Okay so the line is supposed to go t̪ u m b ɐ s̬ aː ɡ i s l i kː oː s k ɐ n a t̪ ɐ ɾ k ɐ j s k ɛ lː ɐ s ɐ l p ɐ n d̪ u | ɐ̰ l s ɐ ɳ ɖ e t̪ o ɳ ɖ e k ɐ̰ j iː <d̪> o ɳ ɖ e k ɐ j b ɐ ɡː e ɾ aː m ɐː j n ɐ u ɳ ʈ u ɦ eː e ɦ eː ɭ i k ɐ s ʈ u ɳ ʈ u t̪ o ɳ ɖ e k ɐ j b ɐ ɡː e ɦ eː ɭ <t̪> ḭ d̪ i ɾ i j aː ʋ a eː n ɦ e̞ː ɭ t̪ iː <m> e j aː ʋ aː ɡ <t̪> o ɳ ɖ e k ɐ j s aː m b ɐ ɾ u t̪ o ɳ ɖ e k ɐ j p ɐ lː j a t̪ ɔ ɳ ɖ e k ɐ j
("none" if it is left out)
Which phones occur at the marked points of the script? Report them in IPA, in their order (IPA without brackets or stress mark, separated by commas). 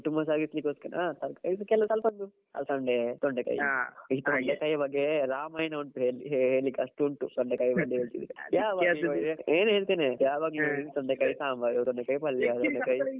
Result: t̪, t̪, n, t̪